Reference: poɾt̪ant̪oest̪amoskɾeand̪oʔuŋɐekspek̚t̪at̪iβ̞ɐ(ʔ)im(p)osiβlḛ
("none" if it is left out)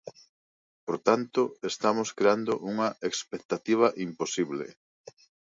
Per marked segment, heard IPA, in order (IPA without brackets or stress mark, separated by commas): ʔ, p